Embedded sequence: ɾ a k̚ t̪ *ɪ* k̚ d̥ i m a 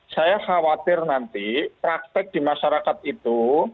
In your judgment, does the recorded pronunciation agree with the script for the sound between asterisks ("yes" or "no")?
yes